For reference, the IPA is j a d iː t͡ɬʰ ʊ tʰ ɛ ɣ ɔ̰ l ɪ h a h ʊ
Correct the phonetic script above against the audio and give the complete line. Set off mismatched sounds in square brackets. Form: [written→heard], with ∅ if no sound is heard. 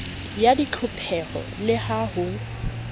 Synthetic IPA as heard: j a d [iː→i] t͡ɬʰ ʊ [tʰ→pʰ] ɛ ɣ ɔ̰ l ɪ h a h ʊ